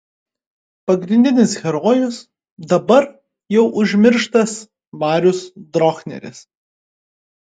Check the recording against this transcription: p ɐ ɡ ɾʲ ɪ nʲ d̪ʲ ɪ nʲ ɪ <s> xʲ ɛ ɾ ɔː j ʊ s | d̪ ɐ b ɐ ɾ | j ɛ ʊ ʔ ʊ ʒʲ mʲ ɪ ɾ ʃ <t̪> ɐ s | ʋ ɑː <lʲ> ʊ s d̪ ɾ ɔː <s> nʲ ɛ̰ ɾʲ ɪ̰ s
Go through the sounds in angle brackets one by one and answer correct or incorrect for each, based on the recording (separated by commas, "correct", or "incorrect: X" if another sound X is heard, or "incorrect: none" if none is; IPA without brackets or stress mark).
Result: correct, correct, incorrect: ɾʲ, incorrect: x